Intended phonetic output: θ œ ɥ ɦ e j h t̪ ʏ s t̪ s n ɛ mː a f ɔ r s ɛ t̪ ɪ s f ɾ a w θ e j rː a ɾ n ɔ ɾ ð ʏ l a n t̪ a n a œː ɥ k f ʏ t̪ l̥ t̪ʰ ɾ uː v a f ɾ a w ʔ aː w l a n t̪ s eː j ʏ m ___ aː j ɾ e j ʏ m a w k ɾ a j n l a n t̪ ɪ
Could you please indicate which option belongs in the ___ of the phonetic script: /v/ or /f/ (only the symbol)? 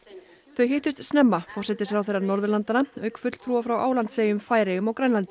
f